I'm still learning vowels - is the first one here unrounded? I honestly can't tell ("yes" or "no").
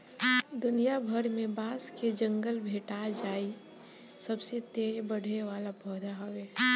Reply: no